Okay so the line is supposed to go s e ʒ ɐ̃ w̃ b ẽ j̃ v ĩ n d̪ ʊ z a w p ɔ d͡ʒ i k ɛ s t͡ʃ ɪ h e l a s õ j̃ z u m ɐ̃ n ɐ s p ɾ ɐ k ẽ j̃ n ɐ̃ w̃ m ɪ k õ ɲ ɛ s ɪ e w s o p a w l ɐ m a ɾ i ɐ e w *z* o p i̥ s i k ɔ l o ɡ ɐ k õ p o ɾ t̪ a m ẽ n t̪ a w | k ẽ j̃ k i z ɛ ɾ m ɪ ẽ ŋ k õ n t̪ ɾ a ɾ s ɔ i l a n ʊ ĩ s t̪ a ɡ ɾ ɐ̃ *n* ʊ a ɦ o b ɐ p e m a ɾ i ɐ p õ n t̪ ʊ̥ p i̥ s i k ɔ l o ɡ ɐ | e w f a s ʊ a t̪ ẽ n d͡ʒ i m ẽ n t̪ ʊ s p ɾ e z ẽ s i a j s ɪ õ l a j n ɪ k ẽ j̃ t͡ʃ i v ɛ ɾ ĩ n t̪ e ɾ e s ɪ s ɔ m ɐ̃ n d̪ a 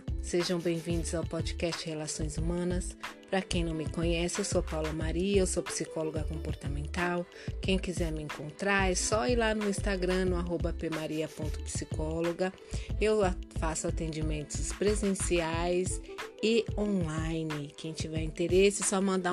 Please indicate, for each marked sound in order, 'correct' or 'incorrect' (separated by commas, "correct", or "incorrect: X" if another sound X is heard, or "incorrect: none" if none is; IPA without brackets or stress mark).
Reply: incorrect: s, correct